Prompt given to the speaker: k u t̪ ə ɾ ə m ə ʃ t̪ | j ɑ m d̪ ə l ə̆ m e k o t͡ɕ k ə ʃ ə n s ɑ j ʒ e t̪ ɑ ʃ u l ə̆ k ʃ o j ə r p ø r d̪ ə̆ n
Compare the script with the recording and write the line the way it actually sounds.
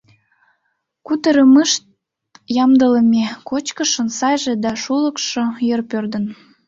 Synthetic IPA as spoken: k u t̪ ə ɾ ə m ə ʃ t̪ | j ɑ m d̪ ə l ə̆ m e k o t͡ɕ k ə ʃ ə n s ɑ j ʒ e d̪ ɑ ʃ u l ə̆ k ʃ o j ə r p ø r d̪ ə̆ n

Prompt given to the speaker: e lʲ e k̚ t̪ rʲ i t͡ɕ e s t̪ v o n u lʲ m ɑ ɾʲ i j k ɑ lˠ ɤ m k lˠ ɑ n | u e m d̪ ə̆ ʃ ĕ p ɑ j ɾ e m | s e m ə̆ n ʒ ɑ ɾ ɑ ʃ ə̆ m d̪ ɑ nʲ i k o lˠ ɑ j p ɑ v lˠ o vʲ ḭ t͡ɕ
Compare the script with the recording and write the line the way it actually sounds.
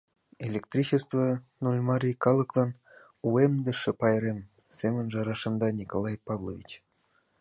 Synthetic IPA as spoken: e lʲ e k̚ t̪ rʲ i t͡ɕ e s t̪ v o n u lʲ m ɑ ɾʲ i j k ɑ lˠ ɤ k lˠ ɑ n | u e m d̪ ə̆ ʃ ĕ p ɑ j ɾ e m | s e m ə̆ n ʒ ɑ ɾ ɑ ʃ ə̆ m d̪ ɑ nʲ i k o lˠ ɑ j p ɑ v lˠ o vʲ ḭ t͡ɕ

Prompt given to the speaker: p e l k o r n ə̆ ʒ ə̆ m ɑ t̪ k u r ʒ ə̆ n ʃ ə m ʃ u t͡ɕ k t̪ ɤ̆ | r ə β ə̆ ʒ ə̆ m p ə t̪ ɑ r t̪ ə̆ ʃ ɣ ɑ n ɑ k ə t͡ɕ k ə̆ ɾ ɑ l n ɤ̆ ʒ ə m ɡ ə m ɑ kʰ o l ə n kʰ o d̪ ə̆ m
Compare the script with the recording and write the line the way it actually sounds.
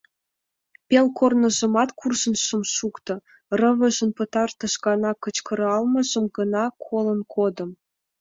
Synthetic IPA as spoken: p e l k o r n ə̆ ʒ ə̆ m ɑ t̪ k u r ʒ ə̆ n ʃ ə m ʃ u k t̪ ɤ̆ | r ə β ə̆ ʒ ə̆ n p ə t̪ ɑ r t̪ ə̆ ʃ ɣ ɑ n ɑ k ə t͡ɕ k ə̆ ɾ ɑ l m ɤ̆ ʒ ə m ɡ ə n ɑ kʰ o l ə n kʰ o d̪ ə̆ m

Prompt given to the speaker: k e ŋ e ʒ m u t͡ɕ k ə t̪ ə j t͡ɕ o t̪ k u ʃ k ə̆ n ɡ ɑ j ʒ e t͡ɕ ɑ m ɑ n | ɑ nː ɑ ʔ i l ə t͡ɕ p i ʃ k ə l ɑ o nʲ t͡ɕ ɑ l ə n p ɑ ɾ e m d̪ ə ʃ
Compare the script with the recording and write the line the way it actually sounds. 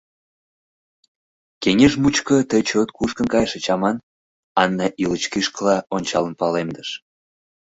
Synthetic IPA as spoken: k e ŋ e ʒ m u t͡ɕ k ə t̪ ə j t͡ɕ o t̪ k u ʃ k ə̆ n k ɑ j ʃ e t͡ɕ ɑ m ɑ n | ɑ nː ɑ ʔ i l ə t͡ɕ k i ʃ k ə l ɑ o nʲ t͡ɕ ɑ l ə n p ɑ l e m d̪ ə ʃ

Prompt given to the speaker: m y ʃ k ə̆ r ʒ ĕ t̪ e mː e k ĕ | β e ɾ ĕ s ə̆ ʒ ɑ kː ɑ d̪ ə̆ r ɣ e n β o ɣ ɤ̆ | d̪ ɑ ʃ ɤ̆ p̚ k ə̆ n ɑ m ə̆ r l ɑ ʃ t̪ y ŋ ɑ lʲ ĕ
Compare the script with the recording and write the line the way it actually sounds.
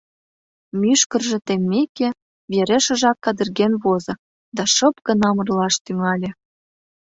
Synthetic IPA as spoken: m y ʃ k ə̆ r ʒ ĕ t̪ e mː e k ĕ | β e ɾ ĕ ʃ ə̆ ʒ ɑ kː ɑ d̪ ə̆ r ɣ e n β o z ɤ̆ | d̪ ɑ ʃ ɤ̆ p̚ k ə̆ n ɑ m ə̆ r l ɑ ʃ t̪ y ŋ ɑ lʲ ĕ

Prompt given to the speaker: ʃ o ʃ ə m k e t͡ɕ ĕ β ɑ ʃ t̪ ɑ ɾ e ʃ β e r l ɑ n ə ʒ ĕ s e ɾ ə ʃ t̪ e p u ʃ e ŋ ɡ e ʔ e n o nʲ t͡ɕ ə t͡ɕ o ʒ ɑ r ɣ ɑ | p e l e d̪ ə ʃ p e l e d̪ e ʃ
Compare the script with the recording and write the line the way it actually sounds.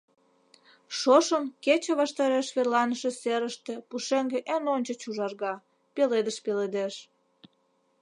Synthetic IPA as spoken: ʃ o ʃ ə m k e t͡ɕ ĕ β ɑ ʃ t̪ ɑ ɾ e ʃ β e r l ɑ n ə ʃ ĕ s e ɾ ə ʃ t̪ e p u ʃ e ŋ ɡ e ʔ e n o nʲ t͡ɕ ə t͡ɕ u ʒ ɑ r ɣ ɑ | p e l e d̪ ə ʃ p e l e d̪ e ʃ

